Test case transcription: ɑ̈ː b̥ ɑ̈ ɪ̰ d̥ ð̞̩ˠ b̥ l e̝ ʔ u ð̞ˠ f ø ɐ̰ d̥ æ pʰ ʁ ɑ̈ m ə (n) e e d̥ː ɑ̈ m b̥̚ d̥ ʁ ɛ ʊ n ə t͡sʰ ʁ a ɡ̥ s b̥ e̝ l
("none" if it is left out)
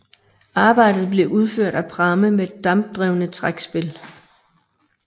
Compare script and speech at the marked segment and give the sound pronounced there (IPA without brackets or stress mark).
m